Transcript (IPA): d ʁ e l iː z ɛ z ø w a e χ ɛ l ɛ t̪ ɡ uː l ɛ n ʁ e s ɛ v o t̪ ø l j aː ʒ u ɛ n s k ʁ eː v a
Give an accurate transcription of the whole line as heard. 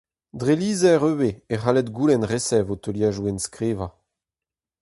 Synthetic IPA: d ʁ e l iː z ɛ ʁ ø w e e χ a l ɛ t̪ ɡ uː l ɛ n ʁ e s ɛ v o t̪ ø l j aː ʒ u ɛ n s k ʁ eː v a